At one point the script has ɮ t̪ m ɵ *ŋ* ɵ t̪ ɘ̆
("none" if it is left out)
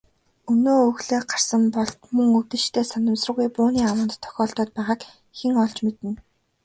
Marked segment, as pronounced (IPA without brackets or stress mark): ŋ